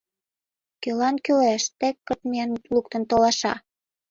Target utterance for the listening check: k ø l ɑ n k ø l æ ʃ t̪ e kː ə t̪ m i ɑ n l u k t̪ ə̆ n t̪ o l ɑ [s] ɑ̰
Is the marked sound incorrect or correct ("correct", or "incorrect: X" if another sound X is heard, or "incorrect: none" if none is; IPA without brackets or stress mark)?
incorrect: ʃ